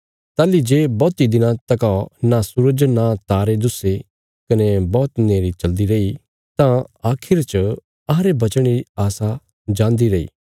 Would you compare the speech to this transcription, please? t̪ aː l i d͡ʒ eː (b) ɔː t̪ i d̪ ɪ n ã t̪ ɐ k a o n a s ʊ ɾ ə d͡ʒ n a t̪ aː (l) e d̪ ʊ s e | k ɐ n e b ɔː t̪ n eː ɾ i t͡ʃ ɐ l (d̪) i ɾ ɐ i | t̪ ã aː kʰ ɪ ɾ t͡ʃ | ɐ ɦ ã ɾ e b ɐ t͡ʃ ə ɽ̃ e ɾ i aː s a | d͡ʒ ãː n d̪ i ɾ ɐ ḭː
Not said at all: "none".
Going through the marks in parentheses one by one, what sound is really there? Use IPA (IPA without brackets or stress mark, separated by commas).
b, ɾ, d̪